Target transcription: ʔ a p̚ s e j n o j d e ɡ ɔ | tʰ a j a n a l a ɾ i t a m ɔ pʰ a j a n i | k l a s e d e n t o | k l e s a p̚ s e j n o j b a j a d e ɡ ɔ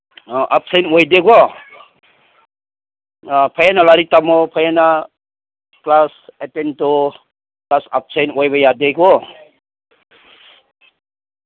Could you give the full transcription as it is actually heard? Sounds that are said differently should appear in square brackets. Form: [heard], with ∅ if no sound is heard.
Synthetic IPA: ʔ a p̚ s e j n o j d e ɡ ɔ | [pʰ] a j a n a l a ɾ i t a m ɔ pʰ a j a n [a] | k l a s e [t] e n t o | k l [a] s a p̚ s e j n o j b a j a d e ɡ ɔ